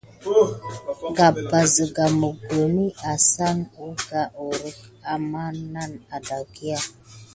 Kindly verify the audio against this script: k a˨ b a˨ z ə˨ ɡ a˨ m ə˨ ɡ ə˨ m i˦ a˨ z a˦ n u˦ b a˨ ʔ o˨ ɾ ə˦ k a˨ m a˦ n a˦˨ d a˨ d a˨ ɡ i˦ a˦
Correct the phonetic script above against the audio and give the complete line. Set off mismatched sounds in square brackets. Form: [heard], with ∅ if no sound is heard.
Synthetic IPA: [ɡ] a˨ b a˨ z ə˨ ɡ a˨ m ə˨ ɡ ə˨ m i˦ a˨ [s] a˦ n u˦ [ɡ] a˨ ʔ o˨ ɾ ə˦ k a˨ m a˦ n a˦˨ [n] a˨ d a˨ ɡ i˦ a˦